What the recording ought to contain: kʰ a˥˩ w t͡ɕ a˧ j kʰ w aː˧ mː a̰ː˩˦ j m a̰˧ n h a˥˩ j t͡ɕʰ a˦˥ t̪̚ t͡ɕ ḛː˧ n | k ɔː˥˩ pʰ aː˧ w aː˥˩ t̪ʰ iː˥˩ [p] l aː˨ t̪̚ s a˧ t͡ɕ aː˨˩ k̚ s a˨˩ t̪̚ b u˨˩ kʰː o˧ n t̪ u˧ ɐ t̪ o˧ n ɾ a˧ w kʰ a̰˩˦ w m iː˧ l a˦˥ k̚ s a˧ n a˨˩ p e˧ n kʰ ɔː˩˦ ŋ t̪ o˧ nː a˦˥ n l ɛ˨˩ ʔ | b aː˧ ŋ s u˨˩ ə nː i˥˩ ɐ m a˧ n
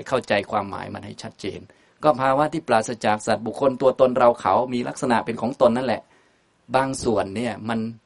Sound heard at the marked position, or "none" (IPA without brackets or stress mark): p